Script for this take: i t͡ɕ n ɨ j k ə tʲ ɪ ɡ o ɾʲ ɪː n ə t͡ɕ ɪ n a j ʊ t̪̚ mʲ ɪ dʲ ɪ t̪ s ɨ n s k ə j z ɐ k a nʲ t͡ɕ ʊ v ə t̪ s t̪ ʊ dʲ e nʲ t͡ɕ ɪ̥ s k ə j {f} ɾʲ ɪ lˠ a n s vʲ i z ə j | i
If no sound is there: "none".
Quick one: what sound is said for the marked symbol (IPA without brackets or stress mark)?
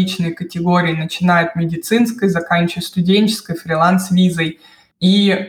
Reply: f